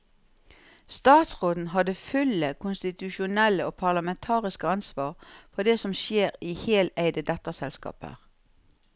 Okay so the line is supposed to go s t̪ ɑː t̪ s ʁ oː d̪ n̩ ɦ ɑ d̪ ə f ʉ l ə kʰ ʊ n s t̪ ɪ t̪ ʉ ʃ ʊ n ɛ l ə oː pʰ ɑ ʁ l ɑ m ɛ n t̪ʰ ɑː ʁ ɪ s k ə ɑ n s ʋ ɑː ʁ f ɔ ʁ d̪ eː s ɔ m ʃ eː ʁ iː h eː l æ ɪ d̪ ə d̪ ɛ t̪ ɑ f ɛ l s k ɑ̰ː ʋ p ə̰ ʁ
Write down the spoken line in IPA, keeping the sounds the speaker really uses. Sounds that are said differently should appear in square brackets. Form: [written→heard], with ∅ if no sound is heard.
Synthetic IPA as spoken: s t̪ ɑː t̪ s ʁ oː d̪ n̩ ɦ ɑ d̪ ə f ʉ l ə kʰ ʊ n s t̪ ɪ t̪ ʉ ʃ ʊ n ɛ l ə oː pʰ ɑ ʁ l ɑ m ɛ n t̪ʰ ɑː ʁ ɪ s k ə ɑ n s ʋ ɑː ʁ f ɔ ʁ d̪ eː s ɔ m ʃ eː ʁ iː h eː l æ ɪ d̪ ə d̪ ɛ t̪ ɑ [f→s] ɛ l s k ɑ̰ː [ʋ→∅] p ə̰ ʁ